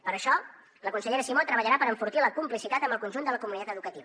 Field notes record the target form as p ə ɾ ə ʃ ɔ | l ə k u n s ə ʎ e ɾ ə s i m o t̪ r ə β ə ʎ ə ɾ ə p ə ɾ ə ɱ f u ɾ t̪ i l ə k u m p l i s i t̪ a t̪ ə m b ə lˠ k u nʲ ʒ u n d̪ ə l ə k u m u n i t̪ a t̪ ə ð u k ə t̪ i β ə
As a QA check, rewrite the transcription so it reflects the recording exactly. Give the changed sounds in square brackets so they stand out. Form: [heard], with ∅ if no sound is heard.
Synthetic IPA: p ə ɾ ə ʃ ɔ | l ə k u n s ə ʎ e ɾ ə s i m o t̪ [ɾ] ə β ə ʎ ə ɾ [a] p ə ɾ ə ɱ f u ɾ t̪ i l ə k u m p l i s i t̪ a t̪ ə m b ə lˠ k u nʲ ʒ u n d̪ ə l ə k u m u n i t̪ a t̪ ə ð u k ə t̪ i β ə